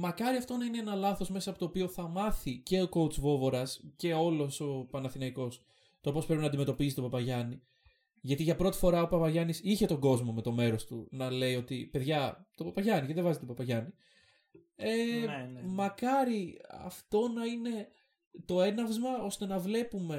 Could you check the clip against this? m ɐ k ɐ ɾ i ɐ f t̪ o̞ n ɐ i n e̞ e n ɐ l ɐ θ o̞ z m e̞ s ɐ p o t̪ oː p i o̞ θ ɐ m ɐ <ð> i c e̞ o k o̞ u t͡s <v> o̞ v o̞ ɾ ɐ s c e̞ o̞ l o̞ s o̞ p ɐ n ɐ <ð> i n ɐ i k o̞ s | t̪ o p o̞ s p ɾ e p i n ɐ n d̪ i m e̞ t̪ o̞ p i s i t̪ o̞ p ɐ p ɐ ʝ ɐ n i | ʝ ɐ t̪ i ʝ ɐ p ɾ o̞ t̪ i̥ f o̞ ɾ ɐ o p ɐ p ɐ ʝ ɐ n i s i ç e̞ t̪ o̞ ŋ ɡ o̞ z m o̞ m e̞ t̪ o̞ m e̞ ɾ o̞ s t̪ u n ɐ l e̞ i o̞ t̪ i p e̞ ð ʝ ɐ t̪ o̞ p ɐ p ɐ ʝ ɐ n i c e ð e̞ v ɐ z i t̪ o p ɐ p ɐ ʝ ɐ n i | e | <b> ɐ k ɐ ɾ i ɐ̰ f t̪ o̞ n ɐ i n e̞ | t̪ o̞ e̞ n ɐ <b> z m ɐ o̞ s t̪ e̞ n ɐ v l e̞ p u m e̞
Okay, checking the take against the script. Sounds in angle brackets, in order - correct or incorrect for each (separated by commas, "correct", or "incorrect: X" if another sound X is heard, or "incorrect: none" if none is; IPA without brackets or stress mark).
incorrect: θ, correct, incorrect: θ, incorrect: m, incorrect: v